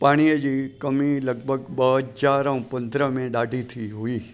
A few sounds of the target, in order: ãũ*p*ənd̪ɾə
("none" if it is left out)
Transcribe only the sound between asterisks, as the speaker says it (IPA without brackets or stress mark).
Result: p